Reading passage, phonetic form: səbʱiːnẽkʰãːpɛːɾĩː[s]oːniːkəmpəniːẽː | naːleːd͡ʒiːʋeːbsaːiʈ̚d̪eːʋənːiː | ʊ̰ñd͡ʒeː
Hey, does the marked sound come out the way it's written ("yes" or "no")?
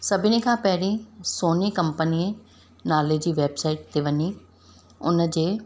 yes